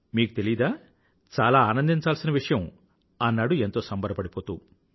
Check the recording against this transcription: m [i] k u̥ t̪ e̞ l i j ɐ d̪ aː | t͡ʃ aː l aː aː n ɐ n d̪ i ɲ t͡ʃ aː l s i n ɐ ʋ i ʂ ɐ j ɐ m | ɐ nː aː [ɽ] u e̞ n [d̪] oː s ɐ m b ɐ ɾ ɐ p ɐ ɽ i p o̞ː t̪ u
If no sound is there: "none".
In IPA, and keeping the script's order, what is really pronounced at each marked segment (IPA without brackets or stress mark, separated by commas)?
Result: iː, ɽ, t̪